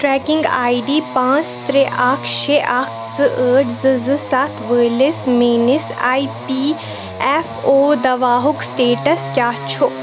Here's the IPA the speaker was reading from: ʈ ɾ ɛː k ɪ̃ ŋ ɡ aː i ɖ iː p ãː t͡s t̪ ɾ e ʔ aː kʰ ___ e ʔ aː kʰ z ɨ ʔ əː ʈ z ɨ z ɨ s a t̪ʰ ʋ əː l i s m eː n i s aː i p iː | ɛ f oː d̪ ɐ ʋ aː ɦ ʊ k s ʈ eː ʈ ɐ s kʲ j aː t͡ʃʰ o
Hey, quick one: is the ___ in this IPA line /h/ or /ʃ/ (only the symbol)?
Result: ʃ